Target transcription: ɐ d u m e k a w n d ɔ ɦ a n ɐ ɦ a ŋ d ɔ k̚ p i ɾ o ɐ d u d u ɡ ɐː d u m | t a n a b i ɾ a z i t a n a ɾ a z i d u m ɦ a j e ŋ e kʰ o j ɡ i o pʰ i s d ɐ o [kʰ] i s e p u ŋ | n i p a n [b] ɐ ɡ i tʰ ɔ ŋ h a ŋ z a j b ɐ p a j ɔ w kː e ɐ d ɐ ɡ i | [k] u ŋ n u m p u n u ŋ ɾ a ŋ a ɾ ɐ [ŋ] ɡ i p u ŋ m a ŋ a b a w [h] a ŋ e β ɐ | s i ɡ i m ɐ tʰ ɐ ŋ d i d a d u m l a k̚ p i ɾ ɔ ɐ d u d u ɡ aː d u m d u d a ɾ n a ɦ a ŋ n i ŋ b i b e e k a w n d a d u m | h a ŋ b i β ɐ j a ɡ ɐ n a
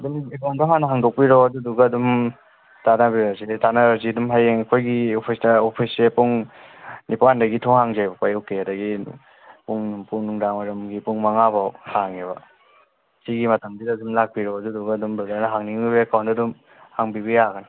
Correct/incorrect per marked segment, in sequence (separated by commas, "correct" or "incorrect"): incorrect, incorrect, incorrect, incorrect, correct